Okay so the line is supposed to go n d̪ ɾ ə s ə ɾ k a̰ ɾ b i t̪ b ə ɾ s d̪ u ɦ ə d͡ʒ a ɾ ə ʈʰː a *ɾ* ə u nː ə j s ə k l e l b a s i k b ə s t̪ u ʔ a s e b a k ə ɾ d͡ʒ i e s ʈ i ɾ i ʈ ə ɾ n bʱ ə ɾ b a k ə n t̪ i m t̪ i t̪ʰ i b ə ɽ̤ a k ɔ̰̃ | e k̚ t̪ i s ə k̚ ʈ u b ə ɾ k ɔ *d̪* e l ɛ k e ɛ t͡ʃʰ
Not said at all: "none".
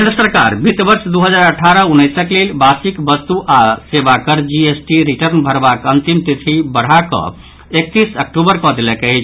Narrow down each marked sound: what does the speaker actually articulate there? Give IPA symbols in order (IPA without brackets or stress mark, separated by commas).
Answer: ɾ, d̪